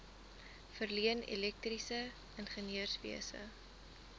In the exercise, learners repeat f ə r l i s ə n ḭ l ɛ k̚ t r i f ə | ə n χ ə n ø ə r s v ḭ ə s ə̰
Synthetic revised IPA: f ə r l i ə n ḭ l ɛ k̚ t r i s ə | ə n χ ə n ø ə r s v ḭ ə s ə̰